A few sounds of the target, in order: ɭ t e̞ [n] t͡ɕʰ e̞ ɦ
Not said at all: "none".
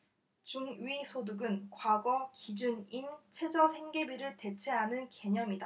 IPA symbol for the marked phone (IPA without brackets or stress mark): none